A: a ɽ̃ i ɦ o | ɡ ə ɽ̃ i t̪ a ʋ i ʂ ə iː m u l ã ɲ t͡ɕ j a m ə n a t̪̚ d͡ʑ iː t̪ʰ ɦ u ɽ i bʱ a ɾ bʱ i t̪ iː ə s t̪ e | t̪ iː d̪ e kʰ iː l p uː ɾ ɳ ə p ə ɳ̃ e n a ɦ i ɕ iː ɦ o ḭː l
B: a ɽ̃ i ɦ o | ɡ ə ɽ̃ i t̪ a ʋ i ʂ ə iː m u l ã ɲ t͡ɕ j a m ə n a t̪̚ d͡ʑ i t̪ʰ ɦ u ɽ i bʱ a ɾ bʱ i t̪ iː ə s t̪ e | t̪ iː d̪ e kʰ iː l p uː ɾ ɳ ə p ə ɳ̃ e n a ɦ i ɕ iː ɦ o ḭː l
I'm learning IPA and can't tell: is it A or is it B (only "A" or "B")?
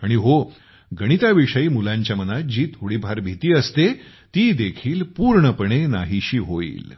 A